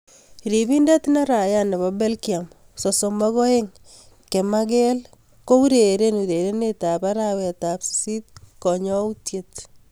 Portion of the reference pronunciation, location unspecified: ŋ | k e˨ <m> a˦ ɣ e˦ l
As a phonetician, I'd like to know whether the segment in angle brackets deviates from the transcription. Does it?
no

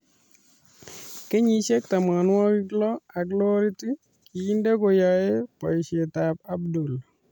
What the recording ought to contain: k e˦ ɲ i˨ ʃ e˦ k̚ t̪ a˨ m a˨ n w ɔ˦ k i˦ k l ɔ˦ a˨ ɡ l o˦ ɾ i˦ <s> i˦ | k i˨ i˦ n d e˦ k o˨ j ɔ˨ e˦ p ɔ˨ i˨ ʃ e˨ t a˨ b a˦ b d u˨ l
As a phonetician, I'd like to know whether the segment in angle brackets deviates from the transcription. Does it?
yes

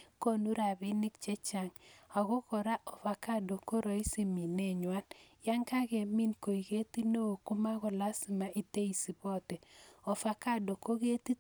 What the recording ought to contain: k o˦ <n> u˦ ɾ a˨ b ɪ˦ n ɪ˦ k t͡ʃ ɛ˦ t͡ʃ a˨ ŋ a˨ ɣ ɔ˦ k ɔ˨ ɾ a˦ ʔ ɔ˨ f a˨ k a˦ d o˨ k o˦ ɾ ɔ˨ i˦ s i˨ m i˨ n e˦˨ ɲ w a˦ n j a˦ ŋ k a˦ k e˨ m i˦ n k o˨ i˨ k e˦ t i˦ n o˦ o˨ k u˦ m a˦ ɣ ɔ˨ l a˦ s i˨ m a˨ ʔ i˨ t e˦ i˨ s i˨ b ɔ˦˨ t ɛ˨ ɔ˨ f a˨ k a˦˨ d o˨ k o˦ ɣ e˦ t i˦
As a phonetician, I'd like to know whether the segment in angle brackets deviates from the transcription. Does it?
no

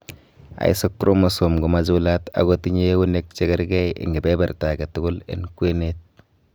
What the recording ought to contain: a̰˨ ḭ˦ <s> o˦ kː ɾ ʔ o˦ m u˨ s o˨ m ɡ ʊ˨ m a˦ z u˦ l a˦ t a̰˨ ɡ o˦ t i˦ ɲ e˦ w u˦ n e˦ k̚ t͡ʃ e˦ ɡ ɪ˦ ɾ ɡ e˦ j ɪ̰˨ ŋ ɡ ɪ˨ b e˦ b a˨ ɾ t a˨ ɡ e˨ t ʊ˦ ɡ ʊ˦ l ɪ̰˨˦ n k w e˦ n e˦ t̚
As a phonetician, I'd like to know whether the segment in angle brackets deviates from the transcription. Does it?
no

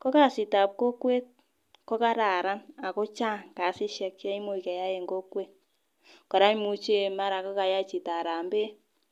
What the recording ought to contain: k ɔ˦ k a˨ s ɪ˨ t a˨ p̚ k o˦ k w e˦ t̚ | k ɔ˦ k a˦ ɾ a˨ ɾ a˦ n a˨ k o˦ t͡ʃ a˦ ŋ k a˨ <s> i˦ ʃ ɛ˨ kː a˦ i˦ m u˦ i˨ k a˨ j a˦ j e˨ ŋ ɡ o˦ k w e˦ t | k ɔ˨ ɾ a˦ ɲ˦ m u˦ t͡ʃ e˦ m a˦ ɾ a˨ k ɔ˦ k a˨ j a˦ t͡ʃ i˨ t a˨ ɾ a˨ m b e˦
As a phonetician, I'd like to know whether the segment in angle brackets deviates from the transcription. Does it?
no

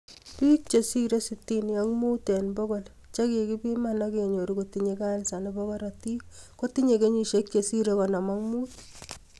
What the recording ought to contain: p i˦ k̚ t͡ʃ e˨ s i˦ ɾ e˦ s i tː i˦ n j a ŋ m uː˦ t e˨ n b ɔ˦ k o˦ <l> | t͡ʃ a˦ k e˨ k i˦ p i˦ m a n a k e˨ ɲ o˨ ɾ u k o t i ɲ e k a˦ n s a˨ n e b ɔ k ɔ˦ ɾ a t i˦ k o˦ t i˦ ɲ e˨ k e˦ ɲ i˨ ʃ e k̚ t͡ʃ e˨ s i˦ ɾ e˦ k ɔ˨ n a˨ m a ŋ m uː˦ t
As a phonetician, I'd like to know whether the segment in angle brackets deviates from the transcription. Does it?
no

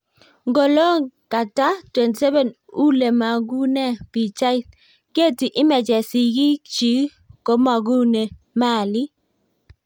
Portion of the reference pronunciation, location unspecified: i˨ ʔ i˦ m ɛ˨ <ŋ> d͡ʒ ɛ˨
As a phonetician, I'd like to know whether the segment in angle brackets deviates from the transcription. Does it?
yes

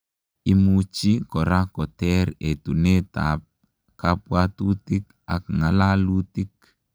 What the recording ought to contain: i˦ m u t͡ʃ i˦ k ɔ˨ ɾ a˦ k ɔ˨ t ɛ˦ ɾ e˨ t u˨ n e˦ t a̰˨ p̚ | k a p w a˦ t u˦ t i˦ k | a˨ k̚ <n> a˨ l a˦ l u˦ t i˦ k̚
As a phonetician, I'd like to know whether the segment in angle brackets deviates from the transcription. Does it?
yes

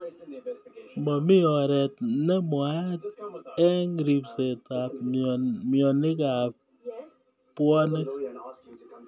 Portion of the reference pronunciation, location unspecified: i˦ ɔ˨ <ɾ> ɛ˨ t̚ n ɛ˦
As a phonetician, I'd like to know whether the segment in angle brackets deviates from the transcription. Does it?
no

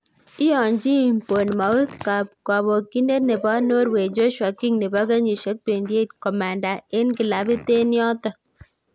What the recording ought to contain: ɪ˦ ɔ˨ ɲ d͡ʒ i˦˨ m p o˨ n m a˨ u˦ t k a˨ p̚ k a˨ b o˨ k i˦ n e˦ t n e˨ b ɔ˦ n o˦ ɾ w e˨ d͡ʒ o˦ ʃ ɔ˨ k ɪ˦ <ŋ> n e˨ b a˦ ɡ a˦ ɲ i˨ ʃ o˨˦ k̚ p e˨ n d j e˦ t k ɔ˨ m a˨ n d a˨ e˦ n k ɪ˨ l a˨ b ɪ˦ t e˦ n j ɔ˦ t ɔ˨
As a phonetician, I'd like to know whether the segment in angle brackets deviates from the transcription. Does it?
no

